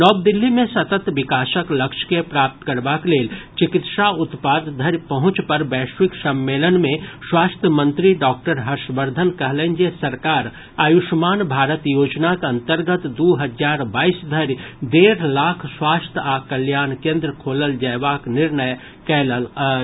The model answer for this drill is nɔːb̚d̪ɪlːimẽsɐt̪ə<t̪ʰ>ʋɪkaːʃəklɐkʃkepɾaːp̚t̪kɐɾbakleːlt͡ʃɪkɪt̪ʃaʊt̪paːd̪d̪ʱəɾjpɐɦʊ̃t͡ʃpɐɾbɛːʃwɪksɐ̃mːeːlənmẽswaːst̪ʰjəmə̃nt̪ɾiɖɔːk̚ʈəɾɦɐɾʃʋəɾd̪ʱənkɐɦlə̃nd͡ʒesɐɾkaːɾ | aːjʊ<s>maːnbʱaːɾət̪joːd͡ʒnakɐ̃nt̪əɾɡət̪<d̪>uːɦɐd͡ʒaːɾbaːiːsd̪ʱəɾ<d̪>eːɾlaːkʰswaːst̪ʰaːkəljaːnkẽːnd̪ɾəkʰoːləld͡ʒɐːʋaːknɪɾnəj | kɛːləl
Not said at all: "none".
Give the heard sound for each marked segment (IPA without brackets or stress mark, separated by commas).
t̪, ʃ, d̪, d̪